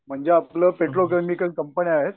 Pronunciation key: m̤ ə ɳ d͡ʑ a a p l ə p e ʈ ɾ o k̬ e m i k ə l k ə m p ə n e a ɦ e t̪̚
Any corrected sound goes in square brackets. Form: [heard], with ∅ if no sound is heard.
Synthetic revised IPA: m̤ ə ɳ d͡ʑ [e] a p l ə p e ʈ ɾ o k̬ e m i k ə l k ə m p ə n [i] a ɦ e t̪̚